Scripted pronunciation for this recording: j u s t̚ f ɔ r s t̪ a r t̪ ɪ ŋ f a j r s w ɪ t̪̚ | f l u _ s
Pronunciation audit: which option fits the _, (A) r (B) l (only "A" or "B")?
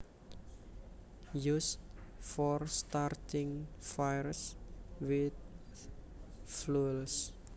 B